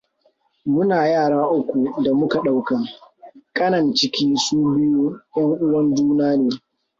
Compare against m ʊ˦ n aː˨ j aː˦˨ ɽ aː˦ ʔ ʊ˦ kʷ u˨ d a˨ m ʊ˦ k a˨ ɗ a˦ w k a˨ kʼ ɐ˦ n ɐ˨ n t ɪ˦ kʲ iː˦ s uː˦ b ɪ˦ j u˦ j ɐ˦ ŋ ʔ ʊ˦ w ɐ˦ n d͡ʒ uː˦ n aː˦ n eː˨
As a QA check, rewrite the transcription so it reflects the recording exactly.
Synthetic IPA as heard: m ʊ˦ n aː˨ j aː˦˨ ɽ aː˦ ʔ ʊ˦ kʷ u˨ d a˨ m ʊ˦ k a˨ ɗ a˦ w k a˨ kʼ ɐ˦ n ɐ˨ n t͡ʃ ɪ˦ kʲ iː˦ s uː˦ b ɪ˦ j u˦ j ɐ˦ ŋ ʔ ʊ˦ w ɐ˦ n d͡ʒ uː˦ n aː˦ n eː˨